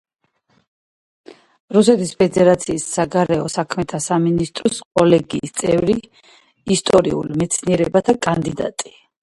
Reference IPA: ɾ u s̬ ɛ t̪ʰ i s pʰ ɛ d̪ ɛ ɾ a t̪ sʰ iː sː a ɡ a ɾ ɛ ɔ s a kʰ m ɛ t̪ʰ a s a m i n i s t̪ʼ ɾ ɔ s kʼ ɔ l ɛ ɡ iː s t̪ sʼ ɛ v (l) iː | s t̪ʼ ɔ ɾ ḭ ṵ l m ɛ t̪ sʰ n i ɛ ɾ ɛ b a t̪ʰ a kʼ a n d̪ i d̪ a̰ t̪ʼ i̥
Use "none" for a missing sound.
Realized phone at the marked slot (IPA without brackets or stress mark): ɾ